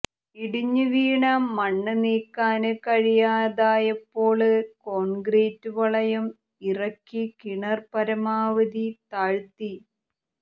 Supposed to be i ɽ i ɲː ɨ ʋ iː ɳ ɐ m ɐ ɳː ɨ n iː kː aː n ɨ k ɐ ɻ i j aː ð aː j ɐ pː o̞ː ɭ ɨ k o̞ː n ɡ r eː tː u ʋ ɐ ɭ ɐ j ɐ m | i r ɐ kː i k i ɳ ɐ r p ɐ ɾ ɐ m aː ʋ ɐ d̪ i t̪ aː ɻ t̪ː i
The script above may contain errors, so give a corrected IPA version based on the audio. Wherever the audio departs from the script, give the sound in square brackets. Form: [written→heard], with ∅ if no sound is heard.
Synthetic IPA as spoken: i ɽ i ɲː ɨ ʋ iː ɳ ɐ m ɐ ɳː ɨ n iː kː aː n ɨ k ɐ ɻ i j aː ð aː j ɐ pː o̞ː ɭ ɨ k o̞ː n ɡ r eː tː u ʋ ɐ ɭ ɐ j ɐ m | i r ɐ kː i k i ɳ ɐ r p ɐ ɾ ɐ m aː ʋ ɐ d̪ i t̪ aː ɻ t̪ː i